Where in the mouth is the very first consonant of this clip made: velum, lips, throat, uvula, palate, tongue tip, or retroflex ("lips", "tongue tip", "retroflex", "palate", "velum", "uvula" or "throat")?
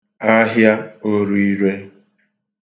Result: throat